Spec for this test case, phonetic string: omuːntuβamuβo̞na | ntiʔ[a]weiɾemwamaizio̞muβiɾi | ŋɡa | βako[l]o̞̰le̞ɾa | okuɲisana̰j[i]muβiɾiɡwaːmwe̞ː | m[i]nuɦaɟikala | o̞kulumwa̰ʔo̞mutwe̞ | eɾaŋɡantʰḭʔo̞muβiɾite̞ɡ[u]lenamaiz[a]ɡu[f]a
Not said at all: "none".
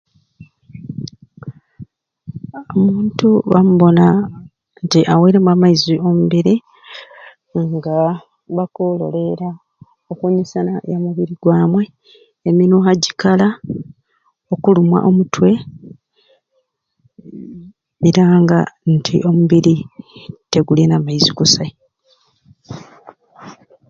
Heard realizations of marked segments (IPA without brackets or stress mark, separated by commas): a, l, a, i, u, i, s